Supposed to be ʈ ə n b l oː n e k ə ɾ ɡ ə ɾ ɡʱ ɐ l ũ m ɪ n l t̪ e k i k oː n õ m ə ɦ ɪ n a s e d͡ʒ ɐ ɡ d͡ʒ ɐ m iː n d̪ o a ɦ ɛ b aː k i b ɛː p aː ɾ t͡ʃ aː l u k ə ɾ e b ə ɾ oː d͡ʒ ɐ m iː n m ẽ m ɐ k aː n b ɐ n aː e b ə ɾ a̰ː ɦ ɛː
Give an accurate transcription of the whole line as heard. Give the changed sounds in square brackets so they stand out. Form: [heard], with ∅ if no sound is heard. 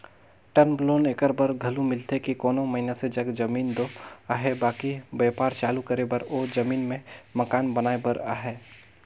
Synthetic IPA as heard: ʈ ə n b l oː n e k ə ɾ [b] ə ɾ ɡʱ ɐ l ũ m ɪ [∅] l t̪ e k i k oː n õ m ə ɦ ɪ n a s e d͡ʒ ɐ ɡ d͡ʒ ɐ m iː n d̪ o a ɦ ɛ b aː k i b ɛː p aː ɾ t͡ʃ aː l u k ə ɾ e b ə ɾ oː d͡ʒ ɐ m iː n m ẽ m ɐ k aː n b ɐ n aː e b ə ɾ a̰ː ɦ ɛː